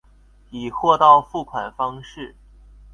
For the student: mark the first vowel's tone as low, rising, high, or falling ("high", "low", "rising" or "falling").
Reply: low